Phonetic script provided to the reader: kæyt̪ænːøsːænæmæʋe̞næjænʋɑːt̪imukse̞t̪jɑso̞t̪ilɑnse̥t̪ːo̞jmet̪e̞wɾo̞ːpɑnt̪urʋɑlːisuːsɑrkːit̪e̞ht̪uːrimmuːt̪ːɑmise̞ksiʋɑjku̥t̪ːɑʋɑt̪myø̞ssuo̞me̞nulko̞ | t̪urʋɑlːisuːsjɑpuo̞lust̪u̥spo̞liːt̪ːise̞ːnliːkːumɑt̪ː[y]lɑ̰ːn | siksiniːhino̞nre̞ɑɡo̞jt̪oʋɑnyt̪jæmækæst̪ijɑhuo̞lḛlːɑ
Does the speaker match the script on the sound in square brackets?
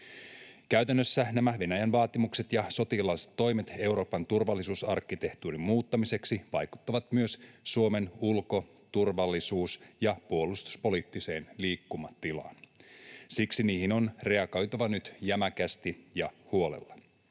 no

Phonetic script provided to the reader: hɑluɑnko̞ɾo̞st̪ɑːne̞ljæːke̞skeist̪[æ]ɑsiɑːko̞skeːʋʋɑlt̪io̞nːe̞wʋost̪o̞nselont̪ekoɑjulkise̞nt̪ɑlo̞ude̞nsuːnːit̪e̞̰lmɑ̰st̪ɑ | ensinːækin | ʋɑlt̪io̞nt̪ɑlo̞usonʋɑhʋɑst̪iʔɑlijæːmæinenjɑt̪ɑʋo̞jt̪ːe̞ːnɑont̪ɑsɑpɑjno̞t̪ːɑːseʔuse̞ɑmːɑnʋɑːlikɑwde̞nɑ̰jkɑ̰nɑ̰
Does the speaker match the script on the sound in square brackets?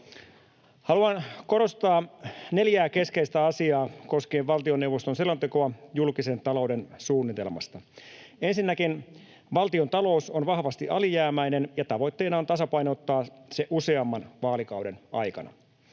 yes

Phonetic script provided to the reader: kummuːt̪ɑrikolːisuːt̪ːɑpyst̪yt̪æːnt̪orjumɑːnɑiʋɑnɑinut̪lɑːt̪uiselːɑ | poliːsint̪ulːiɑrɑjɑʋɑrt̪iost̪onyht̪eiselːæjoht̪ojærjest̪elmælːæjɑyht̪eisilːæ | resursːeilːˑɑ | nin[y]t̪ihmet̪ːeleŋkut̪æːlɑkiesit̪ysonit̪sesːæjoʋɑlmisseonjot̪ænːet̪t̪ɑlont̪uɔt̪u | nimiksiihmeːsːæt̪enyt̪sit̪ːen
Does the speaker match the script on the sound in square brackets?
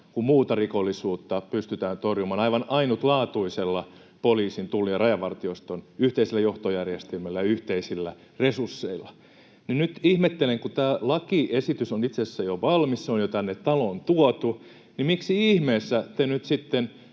yes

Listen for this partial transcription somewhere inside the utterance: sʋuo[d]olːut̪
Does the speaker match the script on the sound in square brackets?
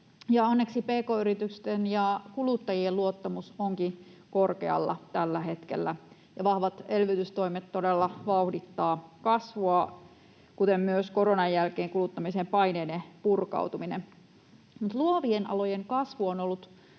no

